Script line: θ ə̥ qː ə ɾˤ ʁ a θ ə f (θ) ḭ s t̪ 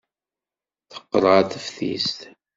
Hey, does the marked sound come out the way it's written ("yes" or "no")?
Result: yes